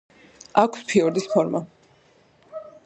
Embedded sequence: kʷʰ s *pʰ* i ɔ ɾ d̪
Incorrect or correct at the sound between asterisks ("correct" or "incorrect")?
correct